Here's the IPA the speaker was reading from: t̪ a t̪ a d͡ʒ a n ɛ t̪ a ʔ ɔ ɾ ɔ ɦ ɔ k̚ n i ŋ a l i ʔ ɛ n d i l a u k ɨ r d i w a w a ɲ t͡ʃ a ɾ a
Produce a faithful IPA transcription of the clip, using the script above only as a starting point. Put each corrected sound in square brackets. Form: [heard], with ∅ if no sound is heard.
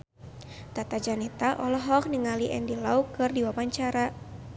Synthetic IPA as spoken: t̪ a t̪ a d͡ʒ a n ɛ t̪ a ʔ ɔ [l] ɔ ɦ ɔ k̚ n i ŋ a l i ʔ ɛ n d i l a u k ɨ r d i w a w a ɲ t͡ʃ a ɾ a